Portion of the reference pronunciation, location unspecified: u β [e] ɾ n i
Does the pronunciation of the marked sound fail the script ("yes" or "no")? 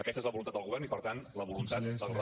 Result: yes